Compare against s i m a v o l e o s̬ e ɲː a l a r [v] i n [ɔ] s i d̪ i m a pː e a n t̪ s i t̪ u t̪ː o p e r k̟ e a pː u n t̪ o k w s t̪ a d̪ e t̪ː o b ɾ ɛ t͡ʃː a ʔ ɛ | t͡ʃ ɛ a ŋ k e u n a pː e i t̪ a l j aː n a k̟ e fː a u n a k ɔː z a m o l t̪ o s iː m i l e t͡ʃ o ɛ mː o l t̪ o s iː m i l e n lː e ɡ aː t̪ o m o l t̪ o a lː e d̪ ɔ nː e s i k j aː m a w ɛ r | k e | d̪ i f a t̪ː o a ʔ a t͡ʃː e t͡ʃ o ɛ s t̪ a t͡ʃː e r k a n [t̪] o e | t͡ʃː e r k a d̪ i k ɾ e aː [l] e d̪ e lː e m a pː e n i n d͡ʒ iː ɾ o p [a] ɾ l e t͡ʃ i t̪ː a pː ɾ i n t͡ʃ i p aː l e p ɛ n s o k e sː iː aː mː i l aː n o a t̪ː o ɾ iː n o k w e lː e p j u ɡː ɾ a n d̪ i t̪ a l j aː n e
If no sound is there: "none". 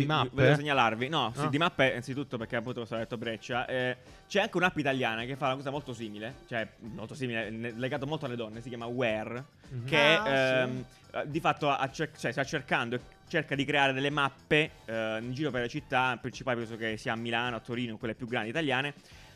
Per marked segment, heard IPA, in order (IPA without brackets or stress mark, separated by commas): v, ɔ, d̪, ɾ, e